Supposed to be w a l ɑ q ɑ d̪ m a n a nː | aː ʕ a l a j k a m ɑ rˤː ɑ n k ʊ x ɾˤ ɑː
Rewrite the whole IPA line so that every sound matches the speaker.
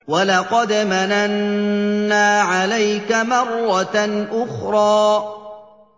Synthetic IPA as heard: w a l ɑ q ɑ d̪ m a n a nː | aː ʕ a l a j k a m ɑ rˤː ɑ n ʔ ʊ x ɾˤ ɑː